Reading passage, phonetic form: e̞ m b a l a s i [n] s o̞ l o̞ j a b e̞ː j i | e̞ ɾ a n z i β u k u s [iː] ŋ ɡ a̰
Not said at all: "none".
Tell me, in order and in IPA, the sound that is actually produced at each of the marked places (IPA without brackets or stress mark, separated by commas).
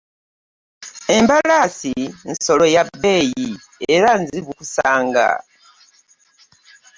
n, aː